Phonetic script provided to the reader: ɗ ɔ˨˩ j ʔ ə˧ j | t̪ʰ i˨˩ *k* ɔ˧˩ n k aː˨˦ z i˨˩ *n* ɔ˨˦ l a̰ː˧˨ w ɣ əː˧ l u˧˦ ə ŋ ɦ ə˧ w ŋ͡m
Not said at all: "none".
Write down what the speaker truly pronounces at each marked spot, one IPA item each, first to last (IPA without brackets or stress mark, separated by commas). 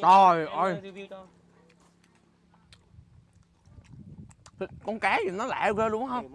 k, n